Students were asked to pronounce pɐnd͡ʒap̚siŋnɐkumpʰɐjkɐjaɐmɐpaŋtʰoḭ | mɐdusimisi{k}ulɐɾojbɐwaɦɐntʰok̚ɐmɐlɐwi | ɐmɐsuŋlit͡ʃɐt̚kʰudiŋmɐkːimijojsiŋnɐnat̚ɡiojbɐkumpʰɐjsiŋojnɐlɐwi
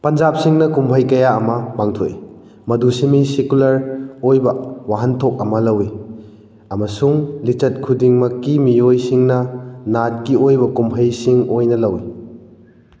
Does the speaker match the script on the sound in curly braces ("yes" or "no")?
yes